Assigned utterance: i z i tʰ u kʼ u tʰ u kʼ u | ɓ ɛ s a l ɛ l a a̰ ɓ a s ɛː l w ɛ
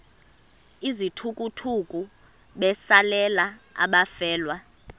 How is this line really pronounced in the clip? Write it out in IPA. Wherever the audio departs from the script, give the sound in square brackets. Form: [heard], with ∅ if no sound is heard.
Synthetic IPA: i z i tʰ u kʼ u tʰ u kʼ u | ɓ ɛ s a l ɛ l a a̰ ɓ a [f] ɛː l w [a]